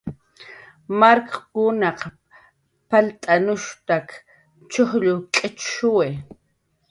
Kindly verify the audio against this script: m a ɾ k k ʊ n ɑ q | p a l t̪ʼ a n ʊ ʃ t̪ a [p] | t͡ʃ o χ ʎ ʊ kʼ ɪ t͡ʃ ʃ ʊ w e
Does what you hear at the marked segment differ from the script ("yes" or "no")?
yes